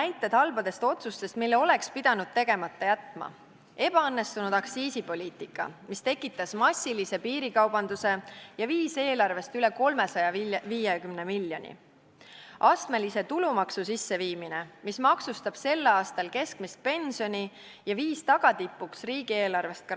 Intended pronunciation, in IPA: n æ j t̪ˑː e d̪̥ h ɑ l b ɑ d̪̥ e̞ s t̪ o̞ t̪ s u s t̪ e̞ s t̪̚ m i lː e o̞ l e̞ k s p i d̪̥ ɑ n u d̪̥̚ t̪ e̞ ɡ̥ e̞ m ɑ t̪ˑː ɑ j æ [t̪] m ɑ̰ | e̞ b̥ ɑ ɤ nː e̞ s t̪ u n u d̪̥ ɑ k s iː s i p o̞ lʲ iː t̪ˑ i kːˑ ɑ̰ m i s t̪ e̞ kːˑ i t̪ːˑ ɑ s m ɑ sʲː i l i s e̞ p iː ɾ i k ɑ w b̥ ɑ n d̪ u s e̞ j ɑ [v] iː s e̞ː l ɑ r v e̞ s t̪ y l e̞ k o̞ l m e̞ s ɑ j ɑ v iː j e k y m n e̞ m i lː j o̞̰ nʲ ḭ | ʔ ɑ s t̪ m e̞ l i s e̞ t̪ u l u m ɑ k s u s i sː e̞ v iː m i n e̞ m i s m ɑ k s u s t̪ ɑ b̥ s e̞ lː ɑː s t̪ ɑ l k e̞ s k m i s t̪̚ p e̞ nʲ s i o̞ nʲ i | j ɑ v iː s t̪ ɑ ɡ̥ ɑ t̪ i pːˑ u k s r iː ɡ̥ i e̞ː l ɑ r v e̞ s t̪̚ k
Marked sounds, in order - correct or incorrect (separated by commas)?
correct, correct